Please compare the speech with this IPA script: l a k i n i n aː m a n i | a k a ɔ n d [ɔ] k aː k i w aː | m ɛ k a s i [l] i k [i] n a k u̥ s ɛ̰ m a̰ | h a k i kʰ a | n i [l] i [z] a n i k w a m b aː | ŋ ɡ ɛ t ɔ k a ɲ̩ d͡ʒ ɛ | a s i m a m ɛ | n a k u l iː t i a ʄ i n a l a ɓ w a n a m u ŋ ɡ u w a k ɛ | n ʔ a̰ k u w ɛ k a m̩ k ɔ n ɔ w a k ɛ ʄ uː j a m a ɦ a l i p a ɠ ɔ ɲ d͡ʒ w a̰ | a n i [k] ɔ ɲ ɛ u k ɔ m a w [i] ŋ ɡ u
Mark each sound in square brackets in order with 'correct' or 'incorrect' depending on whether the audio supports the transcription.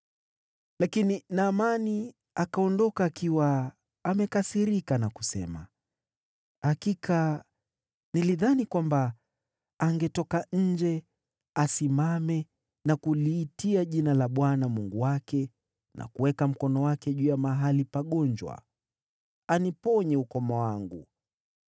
correct, incorrect, incorrect, correct, incorrect, incorrect, incorrect

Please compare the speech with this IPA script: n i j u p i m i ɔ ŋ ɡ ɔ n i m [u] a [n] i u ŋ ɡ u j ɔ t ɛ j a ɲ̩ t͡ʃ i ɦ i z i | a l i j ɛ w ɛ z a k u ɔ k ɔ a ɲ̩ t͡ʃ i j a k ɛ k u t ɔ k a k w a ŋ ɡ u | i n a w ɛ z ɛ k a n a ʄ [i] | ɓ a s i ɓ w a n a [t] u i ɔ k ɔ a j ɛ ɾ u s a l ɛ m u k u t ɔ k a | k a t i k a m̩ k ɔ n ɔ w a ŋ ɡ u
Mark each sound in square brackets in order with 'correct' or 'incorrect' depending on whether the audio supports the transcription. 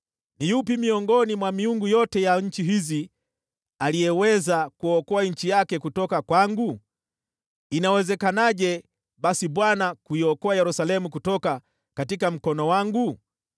incorrect, incorrect, incorrect, incorrect

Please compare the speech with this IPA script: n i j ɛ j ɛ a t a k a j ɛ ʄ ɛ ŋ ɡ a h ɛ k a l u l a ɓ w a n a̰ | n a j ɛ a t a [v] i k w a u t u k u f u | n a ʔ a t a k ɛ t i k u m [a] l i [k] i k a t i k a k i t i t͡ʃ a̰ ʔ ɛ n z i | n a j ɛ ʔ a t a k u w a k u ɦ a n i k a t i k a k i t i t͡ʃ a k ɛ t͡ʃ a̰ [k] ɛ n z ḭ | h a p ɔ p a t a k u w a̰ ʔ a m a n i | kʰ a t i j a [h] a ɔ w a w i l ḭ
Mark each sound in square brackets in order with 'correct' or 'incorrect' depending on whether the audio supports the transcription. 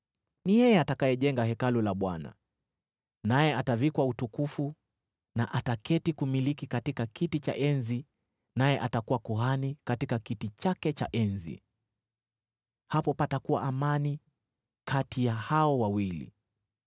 correct, incorrect, correct, incorrect, correct

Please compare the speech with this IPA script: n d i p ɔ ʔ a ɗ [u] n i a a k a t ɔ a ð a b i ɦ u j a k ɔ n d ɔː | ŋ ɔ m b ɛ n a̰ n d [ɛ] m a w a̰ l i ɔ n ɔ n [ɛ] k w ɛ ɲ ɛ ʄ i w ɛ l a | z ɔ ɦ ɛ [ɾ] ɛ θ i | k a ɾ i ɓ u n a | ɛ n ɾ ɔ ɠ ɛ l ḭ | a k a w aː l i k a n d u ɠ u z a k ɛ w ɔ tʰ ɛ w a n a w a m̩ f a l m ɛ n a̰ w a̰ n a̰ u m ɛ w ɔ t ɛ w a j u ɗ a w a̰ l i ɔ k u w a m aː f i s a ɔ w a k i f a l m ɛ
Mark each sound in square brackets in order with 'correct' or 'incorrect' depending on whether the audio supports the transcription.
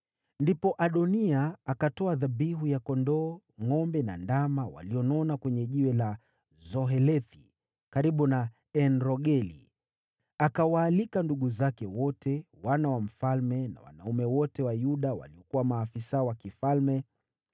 incorrect, incorrect, incorrect, incorrect

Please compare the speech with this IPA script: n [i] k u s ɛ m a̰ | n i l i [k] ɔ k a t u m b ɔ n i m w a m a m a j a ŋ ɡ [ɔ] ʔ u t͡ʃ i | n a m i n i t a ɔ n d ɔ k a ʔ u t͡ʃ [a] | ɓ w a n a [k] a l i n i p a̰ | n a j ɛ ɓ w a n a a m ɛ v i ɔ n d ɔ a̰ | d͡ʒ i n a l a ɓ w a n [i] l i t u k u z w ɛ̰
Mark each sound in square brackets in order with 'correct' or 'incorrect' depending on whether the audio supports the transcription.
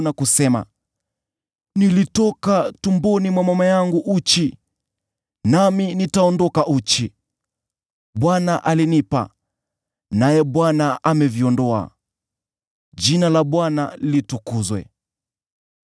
incorrect, incorrect, incorrect, incorrect, incorrect, incorrect

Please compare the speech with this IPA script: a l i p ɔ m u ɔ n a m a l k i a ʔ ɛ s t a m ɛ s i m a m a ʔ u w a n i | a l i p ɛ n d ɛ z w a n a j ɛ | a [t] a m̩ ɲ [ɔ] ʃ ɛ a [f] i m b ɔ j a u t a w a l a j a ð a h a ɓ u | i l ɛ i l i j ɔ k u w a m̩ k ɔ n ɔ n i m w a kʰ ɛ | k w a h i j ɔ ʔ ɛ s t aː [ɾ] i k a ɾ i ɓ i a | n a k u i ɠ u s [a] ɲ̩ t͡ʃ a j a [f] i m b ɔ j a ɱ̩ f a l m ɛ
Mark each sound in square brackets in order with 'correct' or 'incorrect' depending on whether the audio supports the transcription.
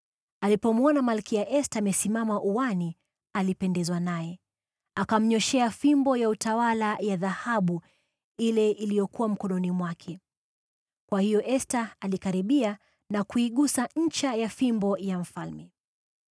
incorrect, correct, correct, incorrect, correct, correct

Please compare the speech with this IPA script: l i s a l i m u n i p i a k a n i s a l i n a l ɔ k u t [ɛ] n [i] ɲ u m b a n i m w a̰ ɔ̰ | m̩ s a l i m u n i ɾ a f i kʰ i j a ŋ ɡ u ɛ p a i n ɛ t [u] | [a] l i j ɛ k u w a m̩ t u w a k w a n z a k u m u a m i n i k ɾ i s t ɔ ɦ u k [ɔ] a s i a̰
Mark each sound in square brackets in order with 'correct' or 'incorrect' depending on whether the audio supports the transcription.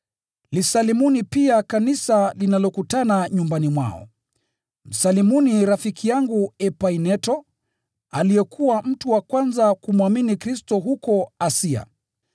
incorrect, incorrect, incorrect, correct, correct

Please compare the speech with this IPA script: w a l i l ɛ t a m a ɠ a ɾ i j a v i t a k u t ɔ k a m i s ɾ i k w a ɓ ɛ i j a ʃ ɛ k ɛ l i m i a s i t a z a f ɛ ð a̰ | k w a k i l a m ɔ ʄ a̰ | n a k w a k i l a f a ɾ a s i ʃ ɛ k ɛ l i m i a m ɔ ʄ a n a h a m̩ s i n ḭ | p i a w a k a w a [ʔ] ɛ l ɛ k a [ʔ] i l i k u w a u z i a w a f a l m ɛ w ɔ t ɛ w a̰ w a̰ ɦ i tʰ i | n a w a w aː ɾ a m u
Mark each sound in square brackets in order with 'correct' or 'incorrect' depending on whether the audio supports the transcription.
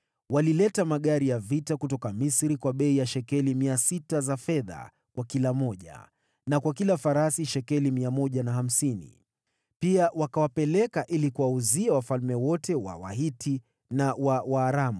incorrect, correct

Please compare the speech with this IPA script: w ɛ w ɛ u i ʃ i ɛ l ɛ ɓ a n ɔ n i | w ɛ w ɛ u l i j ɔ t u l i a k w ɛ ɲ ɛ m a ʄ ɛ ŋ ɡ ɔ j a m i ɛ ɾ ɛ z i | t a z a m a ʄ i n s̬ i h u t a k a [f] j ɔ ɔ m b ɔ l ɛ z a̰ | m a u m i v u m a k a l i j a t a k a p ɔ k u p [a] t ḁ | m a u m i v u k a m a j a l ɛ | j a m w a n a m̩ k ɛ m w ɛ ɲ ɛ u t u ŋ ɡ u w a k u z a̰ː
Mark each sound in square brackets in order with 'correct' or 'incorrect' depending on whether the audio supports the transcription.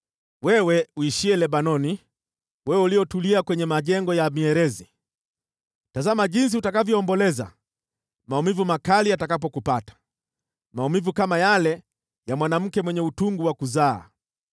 incorrect, correct

